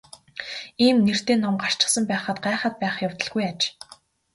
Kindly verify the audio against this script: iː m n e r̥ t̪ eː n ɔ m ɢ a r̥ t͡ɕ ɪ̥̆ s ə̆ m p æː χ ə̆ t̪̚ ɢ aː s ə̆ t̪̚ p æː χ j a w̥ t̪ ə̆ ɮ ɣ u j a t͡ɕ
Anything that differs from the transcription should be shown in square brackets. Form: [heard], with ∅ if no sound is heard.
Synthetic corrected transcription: iː m n e r̥ t̪ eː n ɔ m ɢ a r̥ t͡ɕ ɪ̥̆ s ə̆ m p æː χ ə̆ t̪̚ ɢ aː [χ] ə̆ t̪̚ p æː χ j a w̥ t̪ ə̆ ɮ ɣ u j a t͡ɕ